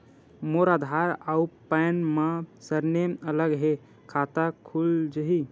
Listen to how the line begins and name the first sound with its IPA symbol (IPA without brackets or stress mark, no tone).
m